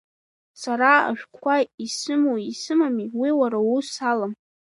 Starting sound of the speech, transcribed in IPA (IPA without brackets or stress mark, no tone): s